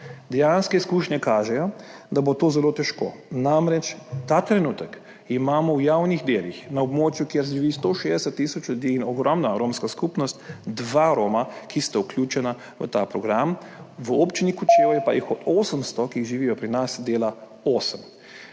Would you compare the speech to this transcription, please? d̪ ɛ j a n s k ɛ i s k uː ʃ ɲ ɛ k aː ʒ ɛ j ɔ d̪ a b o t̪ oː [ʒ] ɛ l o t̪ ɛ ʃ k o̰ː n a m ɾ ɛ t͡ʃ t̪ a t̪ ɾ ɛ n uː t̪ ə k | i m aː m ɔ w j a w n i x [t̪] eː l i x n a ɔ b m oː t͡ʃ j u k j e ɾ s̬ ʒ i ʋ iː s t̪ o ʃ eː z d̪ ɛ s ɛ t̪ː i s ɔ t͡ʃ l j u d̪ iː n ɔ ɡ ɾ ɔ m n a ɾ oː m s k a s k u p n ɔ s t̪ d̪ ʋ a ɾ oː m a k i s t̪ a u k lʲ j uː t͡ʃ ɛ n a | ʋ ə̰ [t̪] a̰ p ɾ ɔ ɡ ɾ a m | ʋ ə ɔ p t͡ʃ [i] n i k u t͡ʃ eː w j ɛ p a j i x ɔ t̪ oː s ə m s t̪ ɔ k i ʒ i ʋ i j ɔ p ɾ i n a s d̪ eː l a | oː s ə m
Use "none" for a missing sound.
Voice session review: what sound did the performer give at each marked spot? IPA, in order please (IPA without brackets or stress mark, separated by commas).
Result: z, d̪, t̪, i